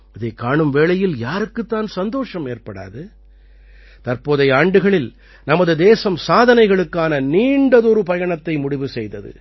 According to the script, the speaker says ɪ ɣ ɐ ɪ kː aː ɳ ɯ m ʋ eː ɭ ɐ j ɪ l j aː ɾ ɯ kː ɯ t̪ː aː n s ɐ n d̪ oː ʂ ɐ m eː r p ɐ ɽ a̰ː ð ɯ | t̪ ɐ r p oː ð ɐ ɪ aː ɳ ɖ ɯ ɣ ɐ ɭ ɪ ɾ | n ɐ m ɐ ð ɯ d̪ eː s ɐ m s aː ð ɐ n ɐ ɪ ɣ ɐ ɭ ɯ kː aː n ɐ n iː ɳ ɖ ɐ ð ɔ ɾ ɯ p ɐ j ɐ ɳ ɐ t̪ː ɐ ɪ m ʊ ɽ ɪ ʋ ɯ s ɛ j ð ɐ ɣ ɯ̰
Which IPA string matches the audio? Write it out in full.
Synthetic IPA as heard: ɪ ð ɐ ɪ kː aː ɳ ɯ m ʋ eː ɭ ɐ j ɪ l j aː ɾ ɯ kː ɯ t̪ː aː n s ɐ n d̪ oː ʂ ɐ m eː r p ɐ ɽ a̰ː ð ɯ | t̪ ɐ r p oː ð ɐ ɪ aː ɳ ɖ ɯ ɣ ɐ ɭ ɪ l | n ɐ m ɐ ð ɯ d̪ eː s ɐ m s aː ð ɐ n ɐ ɪ ɣ ɐ ɭ ɯ kː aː n ɐ n iː ɳ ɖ ɐ ð ɔ ɾ ɯ p ɐ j ɐ ɳ ɐ t̪ː ɐ ɪ m ʊ ɽ ɪ ʋ ɯ s ɛ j ð ɐ ð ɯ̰